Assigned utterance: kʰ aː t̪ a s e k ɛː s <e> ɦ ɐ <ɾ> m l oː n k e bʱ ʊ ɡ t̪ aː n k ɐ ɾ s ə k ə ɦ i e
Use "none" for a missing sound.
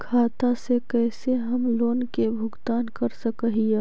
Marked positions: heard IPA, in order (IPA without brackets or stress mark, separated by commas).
e, none